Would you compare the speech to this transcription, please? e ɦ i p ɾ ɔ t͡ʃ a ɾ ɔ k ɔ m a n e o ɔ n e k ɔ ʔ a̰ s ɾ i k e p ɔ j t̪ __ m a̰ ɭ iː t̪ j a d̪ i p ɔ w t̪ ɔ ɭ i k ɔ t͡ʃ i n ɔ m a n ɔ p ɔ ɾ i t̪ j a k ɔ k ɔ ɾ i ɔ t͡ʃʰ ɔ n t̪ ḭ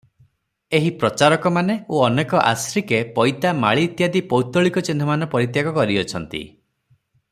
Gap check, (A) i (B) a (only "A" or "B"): B